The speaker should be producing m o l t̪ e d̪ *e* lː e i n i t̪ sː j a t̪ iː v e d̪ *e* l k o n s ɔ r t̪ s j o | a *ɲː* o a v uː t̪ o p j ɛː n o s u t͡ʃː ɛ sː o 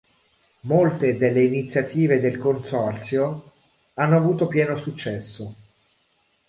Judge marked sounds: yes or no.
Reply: yes, yes, no

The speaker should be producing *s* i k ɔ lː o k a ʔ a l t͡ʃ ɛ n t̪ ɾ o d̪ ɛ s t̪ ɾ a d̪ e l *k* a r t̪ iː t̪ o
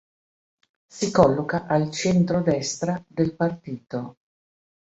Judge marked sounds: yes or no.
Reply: yes, no

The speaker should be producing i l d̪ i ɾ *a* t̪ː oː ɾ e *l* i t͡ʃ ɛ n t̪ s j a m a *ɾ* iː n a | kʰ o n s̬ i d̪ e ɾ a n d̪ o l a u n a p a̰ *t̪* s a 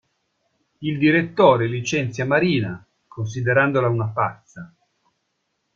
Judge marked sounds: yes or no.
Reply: no, yes, yes, yes

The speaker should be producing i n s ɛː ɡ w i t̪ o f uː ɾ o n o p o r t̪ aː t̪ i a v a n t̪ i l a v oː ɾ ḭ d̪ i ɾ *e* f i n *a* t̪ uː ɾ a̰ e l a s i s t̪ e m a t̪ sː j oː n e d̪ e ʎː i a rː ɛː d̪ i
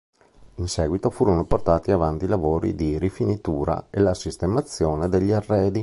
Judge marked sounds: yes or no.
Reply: no, no

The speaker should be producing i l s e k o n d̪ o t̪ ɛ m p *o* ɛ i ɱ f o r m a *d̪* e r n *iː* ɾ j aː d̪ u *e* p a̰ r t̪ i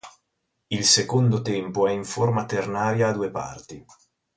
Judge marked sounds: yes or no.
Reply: yes, no, no, yes

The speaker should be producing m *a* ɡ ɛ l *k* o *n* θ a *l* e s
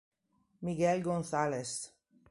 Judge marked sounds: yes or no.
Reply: no, no, yes, yes

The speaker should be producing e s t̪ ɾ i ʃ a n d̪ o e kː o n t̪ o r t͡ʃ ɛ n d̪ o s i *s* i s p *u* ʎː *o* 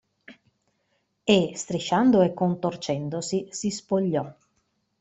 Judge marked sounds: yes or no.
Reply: yes, no, no

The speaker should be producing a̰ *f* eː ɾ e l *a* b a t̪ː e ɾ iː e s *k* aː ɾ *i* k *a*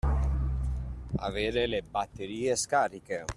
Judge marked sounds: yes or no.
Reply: no, no, yes, yes, no

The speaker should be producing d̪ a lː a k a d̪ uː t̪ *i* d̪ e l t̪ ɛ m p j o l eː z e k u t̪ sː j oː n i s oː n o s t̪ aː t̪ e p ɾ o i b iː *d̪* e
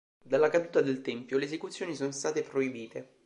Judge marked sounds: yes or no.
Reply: no, no

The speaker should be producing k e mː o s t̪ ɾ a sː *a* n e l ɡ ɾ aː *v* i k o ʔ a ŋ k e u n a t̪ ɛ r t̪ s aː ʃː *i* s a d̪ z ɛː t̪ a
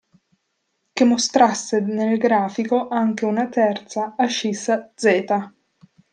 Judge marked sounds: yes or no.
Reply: no, no, yes

